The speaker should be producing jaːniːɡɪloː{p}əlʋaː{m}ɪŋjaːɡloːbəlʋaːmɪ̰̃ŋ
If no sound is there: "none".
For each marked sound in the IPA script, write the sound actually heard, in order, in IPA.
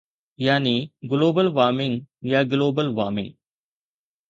b, m

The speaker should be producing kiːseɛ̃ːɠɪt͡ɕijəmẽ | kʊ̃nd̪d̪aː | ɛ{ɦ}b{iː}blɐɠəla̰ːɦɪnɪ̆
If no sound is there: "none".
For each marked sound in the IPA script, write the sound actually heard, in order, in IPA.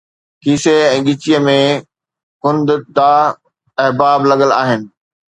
ɦ, aː

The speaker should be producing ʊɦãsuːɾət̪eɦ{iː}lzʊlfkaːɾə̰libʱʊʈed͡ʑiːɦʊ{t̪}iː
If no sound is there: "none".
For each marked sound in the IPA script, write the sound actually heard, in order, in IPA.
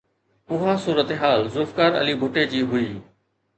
aː, none

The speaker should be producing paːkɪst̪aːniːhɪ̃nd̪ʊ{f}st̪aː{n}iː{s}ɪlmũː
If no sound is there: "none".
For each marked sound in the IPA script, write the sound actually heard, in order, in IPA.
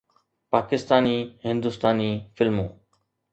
none, n, f

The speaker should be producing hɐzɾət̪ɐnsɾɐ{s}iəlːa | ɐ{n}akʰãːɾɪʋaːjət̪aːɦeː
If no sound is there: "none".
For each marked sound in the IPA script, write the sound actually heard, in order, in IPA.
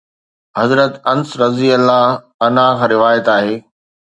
z, n

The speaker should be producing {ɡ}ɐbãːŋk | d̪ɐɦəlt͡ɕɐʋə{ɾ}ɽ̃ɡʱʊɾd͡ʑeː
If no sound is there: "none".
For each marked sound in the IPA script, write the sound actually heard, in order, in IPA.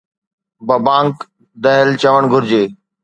b, none

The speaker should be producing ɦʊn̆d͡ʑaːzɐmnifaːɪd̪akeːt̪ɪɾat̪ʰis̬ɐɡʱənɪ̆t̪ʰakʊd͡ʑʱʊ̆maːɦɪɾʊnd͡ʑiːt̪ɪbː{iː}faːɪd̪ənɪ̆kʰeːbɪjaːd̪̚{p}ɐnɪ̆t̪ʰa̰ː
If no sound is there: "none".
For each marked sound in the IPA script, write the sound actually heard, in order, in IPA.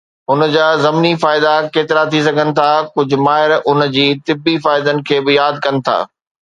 i, k

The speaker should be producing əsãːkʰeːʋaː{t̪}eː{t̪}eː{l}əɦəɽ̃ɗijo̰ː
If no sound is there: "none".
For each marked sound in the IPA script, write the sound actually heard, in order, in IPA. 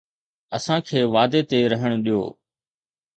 d̪, t̪, ɾ

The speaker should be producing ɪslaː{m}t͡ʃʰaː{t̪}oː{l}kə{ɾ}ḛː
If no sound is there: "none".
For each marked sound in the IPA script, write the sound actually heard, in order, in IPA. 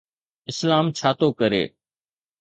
m, t̪, none, ɾ

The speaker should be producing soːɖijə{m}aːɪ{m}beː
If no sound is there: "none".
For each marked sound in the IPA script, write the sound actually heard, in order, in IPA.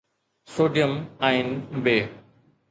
m, n

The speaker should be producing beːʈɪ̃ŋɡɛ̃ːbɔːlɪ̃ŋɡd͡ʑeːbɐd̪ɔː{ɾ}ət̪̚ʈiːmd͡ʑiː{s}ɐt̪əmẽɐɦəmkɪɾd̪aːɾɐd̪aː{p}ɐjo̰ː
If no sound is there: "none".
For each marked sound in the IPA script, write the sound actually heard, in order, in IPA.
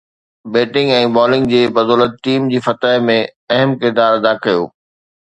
l, f, k

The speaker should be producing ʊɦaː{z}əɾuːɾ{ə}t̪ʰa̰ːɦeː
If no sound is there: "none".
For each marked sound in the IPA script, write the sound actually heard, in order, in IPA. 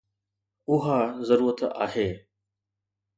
z, ə

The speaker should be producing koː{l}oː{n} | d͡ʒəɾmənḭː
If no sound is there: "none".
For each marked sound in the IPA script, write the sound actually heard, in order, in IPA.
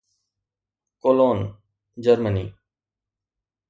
l, n

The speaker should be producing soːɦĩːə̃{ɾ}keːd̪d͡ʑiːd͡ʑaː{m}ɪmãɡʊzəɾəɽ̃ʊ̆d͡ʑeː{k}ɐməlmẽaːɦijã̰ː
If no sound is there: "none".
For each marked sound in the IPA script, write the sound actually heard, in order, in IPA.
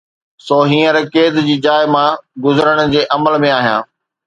ɾ, none, ʔ

